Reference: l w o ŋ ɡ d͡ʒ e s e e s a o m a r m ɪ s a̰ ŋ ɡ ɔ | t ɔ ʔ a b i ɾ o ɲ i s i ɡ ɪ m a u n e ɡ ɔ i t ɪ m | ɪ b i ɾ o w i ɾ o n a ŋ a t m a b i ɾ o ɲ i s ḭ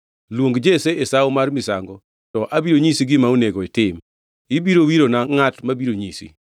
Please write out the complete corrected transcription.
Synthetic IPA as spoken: l w o ŋ ɡ d͡ʒ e s e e s a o m a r m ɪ s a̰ ŋ ɡ ɔ | t ɔ ʔ a b i ɾ o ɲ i s i ɡ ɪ m a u n e ɡ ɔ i t ɪ m | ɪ b i ɾ o w i ɾ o n a ŋ a t m a b i ɾ o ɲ i s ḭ

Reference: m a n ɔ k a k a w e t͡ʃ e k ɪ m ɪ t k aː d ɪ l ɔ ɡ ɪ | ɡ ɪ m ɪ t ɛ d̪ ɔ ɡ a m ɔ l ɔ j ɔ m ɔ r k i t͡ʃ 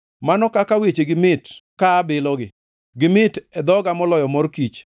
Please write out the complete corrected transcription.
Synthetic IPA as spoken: m a n ɔ k a k a w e t͡ʃ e ɡ ɪ m ɪ t k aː b ɪ l ɔ ɡ ɪ | ɡ ɪ m ɪ t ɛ d̪ ɔ ɡ a m ɔ l ɔ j ɔ m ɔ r k i t͡ʃ

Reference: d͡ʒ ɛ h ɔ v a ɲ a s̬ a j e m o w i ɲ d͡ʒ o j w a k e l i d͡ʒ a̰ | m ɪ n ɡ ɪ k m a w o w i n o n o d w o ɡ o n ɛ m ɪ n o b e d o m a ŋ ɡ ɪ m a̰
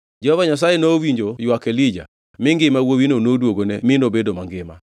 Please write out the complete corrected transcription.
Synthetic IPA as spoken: d͡ʒ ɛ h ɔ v a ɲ a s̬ a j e n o w i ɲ d͡ʒ o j w a k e l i d͡ʒ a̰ | m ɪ ŋ ɡ ɪ m a w o w i n o n o d w o ɡ o n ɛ m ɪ n o b e d o m a ŋ ɡ ɪ m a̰

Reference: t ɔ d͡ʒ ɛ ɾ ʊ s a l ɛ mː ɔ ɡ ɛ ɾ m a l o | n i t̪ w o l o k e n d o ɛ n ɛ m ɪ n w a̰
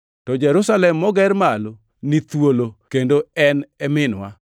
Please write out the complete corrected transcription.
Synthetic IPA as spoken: t ɔ d͡ʒ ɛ ɾ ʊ s a l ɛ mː ɔ ɡ ɛ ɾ m a l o | n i t̪ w o l o k e n d o ɛ n ɛ m ɪ n w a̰

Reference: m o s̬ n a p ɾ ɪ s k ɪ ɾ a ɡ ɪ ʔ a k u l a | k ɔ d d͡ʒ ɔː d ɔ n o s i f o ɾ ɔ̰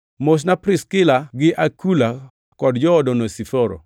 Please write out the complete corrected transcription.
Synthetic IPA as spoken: m o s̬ n a p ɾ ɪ s k ɪ l a ɡ ɪ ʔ a k u l a | k ɔ d d͡ʒ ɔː d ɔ n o s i f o ɾ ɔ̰

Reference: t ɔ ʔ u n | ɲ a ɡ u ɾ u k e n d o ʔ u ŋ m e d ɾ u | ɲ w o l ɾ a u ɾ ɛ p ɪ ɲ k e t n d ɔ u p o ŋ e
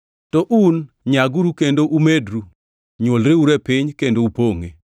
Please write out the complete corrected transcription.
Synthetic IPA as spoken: t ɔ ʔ u n | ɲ a ɡ u ɾ u k e n d o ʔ u m e d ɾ u | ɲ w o l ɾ e u ɾ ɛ p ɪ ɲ k e n d o u p o ŋ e

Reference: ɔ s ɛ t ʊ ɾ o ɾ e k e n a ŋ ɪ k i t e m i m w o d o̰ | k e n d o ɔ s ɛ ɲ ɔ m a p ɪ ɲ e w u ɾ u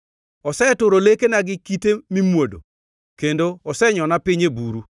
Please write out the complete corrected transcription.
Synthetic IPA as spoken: ɔ s ɛ t ʊ ɾ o l e k e n a ɡ ɪ k i t e m i m w o d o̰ | k e n d o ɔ s ɛ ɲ ɔ n a p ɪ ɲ e b u ɾ u

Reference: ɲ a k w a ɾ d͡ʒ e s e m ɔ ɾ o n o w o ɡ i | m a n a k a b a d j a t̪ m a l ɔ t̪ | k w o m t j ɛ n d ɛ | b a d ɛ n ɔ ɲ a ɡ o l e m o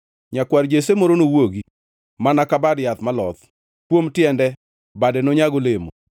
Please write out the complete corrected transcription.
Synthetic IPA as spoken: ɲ a k w a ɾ d͡ʒ e s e m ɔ ɾ o n o w o ɡ i | m a n a k a b a d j a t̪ m a l ɔ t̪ | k w o m t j ɛ n d ɛ | b a d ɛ n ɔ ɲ a ɡ o l e m o

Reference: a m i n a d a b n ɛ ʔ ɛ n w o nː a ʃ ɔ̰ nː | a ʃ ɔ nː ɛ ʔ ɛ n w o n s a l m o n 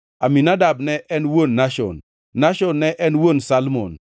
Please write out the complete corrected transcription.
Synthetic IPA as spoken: a m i n a d a b n ɛ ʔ ɛ n w o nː a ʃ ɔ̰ nː | a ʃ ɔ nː ɛ ʔ ɛ n w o n s a l m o n

